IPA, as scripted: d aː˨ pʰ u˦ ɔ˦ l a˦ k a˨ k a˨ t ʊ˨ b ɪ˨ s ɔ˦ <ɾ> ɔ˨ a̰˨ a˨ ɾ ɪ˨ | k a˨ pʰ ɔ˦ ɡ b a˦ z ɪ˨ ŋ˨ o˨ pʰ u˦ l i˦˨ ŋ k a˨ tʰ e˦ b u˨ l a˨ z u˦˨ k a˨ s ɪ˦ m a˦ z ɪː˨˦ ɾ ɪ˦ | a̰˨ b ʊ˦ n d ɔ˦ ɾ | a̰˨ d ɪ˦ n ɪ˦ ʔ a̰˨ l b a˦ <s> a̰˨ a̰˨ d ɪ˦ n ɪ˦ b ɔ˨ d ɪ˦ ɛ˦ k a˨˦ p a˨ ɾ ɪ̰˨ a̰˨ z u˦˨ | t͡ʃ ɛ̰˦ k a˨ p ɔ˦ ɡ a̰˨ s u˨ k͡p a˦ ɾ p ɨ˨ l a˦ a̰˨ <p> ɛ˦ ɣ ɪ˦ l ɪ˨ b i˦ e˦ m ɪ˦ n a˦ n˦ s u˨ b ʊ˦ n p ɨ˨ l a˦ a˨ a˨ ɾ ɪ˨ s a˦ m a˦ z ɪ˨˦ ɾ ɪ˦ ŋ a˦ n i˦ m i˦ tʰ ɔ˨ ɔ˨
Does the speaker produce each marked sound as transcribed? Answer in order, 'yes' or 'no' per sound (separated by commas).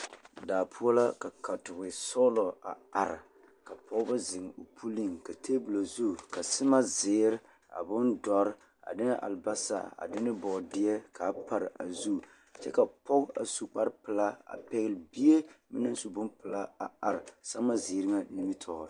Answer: no, yes, yes